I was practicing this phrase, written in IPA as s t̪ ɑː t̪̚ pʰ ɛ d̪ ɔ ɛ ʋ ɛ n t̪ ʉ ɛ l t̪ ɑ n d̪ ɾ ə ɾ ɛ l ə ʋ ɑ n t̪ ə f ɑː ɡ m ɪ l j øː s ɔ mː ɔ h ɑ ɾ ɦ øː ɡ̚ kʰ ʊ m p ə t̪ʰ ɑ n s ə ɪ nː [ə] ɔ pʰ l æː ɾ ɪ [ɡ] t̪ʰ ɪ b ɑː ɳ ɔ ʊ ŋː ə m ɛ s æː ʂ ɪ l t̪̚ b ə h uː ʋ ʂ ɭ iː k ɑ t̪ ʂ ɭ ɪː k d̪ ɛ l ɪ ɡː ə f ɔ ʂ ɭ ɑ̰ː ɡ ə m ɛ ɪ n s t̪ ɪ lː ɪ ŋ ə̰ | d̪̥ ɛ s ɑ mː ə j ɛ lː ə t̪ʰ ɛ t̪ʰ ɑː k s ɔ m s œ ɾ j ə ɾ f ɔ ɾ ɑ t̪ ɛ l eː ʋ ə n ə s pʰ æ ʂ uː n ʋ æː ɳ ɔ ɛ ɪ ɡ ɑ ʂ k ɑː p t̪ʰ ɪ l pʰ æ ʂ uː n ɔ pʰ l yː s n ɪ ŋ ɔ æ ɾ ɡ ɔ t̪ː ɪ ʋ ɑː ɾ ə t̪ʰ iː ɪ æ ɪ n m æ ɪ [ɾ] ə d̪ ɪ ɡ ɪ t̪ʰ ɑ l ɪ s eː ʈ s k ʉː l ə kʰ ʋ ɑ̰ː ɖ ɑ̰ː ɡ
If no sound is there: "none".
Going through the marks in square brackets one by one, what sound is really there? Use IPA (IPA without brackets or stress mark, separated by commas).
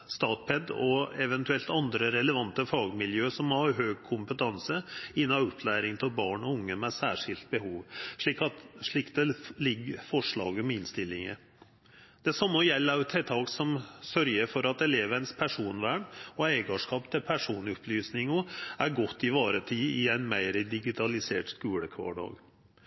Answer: ɑ, ŋ, ɾ